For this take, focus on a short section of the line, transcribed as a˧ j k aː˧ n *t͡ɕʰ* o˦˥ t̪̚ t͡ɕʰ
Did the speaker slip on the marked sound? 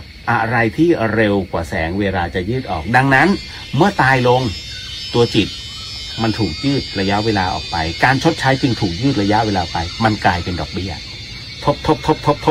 no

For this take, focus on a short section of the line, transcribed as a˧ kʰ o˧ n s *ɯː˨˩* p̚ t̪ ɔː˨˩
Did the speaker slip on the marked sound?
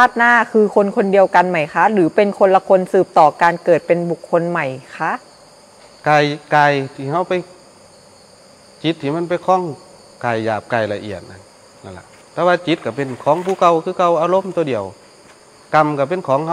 no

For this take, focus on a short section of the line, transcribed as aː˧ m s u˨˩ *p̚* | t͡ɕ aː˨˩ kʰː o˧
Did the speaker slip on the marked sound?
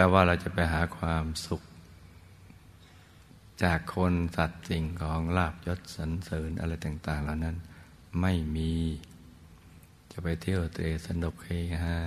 yes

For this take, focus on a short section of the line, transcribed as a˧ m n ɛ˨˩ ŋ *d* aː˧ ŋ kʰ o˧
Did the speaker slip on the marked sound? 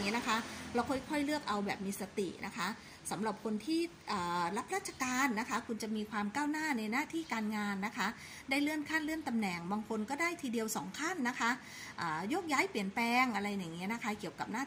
yes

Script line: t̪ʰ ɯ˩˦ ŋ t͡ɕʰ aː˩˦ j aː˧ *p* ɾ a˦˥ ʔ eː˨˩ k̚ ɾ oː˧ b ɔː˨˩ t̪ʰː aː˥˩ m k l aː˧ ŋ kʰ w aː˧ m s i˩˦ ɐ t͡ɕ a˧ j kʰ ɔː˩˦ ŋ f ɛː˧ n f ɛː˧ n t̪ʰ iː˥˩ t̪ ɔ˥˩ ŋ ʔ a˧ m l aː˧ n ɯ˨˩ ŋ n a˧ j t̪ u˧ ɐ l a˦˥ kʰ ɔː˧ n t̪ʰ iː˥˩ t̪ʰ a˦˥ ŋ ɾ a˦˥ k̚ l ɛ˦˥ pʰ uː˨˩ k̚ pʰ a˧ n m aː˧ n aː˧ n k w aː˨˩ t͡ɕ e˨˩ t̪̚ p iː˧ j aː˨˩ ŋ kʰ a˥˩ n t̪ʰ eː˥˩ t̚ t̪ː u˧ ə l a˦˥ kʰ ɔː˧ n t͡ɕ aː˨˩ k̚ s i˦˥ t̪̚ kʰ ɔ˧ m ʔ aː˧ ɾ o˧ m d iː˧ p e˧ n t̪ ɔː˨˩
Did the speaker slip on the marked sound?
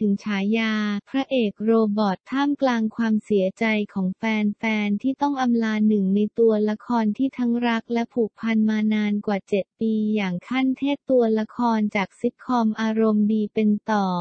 yes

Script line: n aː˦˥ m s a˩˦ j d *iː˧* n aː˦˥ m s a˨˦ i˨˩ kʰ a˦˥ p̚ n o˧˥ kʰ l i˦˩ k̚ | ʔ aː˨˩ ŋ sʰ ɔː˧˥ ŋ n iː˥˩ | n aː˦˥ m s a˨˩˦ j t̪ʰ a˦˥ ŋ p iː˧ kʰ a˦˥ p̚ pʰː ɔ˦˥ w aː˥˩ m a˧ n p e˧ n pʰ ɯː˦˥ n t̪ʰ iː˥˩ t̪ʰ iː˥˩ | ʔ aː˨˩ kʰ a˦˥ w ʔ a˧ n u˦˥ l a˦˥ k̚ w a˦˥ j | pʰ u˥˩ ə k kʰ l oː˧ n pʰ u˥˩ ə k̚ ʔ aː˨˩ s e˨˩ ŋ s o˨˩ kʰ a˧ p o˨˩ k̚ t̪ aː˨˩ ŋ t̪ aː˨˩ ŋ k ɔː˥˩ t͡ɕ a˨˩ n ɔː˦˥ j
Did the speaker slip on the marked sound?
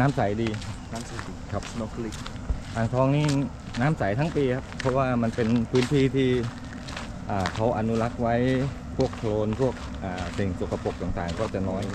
no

